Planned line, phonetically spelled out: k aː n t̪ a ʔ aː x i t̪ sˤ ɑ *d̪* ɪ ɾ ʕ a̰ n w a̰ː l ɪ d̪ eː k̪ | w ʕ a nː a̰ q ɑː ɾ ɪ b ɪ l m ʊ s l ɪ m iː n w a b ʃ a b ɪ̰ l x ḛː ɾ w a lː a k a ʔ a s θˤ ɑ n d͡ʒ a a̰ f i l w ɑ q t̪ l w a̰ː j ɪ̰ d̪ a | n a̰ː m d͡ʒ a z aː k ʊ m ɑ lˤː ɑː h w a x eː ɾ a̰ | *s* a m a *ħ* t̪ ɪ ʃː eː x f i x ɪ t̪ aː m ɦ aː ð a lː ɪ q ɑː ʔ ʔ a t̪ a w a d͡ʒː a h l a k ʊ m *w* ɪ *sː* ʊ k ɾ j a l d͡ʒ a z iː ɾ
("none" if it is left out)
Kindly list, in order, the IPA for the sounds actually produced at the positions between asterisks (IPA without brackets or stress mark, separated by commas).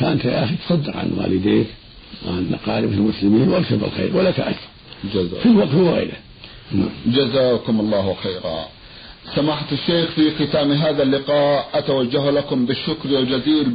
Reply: d̪ː, s, ħ, b, ʃː